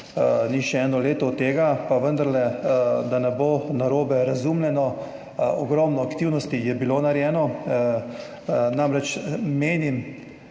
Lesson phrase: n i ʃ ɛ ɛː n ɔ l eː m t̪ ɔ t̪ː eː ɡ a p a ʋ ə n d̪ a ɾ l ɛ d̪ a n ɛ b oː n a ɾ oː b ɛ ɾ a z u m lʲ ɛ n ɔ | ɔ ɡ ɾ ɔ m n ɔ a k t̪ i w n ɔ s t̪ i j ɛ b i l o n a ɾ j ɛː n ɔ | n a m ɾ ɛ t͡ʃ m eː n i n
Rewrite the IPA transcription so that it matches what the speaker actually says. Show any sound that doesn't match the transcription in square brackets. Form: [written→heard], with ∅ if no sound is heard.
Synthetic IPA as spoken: n i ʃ ɛ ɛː n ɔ l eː [m→∅] t̪ ɔ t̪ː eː ɡ a p a ʋ ə n d̪ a ɾ l ɛ d̪ a n ɛ b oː n a ɾ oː b ɛ ɾ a z u m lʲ ɛ n ɔ | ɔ ɡ ɾ ɔ m n ɔ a k t̪ i w n ɔ s t̪ i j ɛ b i l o n a ɾ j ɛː n ɔ | n a m ɾ ɛ t͡ʃ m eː n i [n→m]